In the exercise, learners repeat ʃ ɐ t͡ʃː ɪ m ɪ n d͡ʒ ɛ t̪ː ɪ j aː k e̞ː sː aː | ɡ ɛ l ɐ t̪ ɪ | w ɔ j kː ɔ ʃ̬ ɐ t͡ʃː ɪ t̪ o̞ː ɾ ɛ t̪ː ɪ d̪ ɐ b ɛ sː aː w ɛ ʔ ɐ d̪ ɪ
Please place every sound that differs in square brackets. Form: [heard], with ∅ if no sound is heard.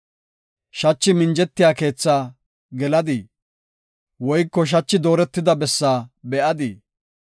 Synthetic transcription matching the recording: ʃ ɐ t͡ʃː ɪ m ɪ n d͡ʒ ɛ t̪ː ɪ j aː k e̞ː [t͡sː] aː | ɡ ɛ l ɐ [d̪] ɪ | w ɔ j kː ɔ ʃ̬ ɐ t͡ʃː ɪ [d̪] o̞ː ɾ ɛ t̪ː ɪ d̪ ɐ b ɛ sː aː [b] ɛ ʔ ɐ d̪ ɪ